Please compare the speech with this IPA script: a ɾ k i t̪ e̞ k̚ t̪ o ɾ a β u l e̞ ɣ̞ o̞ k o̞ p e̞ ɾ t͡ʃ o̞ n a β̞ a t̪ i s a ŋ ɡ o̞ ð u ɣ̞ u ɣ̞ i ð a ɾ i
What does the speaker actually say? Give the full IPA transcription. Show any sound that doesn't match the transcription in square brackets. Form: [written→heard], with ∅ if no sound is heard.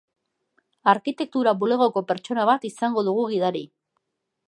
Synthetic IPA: a ɾ k i t̪ e̞ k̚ t̪ [o→u] ɾ a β u l e̞ ɣ̞ o̞ k o̞ p e̞ ɾ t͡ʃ o̞ n a β̞ a t̪ i s a ŋ ɡ o̞ ð u ɣ̞ u ɣ̞ i ð a ɾ i

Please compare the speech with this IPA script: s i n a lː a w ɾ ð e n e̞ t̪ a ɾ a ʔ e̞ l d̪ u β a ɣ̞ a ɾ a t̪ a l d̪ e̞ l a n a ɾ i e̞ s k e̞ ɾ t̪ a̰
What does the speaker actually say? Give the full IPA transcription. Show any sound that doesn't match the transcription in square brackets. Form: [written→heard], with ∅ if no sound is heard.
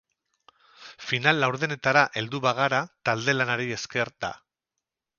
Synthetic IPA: [s→f] i n a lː a w ɾ ð e n e̞ t̪ a ɾ a ʔ e̞ l d̪ u β a ɣ̞ a ɾ a t̪ a l d̪ e̞ l a n a ɾ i e̞ s k e̞ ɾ t̪ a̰

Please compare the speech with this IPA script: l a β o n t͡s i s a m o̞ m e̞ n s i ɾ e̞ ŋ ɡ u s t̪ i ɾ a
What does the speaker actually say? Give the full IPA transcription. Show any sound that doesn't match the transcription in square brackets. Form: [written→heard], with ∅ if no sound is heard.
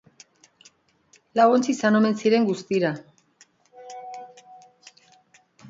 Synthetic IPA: l a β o n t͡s i s a [m→n] o̞ m e̞ n s i ɾ e̞ ŋ ɡ u s t̪ i ɾ a

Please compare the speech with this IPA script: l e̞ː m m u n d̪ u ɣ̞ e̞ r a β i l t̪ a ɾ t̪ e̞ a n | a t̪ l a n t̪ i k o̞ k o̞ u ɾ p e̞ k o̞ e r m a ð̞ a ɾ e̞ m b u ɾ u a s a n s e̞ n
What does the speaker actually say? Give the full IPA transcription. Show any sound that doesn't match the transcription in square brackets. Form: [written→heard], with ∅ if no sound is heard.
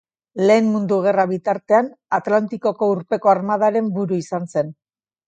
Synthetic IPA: l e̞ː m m u n d̪ u ɣ̞ e̞ r a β i [l→∅] t̪ a ɾ t̪ e̞ a n | a t̪ l a n t̪ i k o̞ k o̞ u ɾ p e̞ k o̞ [e→a] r m a ð̞ a ɾ e̞ m b u ɾ u [a→i] s a n s e̞ n

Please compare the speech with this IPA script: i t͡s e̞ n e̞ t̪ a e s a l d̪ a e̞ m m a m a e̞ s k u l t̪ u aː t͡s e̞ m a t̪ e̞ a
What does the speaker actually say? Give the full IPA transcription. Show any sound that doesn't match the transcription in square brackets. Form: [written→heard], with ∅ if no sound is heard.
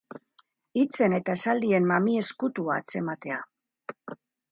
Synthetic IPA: i t͡s e̞ n e̞ t̪ a e s a l d̪ [a→i] e̞ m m a m [a→i] e̞ s k u [l→∅] t̪ u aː t͡s e̞ m a t̪ e̞ a

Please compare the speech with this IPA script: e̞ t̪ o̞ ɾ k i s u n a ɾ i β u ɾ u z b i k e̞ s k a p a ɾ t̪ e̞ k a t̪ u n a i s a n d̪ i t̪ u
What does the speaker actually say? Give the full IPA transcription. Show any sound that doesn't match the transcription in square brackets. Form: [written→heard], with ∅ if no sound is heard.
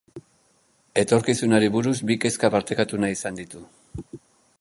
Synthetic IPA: e̞ t̪ o̞ ɾ k i s u n a ɾ i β u ɾ u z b i k e̞ s k a p a ɾ t̪ e̞ k a t̪ u n a i s a n d̪ i t̪ u

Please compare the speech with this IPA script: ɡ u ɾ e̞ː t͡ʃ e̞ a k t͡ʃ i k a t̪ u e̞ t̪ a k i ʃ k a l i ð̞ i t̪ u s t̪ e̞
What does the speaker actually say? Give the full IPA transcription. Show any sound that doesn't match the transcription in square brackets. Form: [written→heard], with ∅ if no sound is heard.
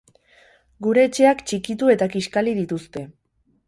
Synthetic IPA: ɡ u ɾ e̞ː t͡ʃ e̞ a k t͡ʃ i k [a→i] t̪ u e̞ t̪ a k i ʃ k a l i ð̞ i t̪ u s t̪ e̞

